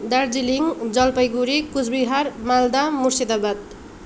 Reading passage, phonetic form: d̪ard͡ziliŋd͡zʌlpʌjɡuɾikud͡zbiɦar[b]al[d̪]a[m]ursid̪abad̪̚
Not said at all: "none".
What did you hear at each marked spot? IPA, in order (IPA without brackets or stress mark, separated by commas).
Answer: m, d̪, m